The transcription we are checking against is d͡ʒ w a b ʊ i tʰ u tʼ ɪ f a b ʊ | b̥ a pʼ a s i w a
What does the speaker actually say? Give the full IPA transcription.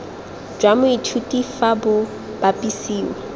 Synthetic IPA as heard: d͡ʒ w a m ʊ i tʰ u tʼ i f a b ʊ | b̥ a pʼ i s iː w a